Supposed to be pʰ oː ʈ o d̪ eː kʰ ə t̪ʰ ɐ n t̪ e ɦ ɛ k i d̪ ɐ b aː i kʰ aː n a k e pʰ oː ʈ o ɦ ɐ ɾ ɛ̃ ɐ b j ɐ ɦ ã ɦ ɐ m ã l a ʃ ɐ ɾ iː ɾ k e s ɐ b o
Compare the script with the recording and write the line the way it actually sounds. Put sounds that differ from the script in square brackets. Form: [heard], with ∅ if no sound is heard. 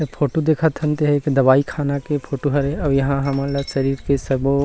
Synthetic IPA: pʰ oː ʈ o d̪ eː kʰ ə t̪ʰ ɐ n t̪ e ɦ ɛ k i d̪ ɐ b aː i kʰ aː n a k e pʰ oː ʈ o ɦ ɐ ɾ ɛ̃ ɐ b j ɐ ɦ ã ɦ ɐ m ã l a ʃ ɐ ɾ iː ɾ k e s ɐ b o